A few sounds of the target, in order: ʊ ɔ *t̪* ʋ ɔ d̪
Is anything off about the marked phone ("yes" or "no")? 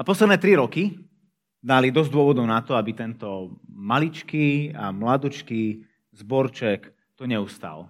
yes